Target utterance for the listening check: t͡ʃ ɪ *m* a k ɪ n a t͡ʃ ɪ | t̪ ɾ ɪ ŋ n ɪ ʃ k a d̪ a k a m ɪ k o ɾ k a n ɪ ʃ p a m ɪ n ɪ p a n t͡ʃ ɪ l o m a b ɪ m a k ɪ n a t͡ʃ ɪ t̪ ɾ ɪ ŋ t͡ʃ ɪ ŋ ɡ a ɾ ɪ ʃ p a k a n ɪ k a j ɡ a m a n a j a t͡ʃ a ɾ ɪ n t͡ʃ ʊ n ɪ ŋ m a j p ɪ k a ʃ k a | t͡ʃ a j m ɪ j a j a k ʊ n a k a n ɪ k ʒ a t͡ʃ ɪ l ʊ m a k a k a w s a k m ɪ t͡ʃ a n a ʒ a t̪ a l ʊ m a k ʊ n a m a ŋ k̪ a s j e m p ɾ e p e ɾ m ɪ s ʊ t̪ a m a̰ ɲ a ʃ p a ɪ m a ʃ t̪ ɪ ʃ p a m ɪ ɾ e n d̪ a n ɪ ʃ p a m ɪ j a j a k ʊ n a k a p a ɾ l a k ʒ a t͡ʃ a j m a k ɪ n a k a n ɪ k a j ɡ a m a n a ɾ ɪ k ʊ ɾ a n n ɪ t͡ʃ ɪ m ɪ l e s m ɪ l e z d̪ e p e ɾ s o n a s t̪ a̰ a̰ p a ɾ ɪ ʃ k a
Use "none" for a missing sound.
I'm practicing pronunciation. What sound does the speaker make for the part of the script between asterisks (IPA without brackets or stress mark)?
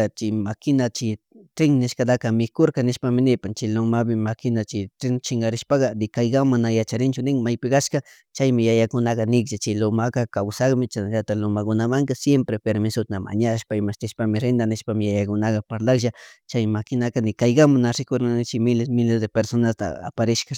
m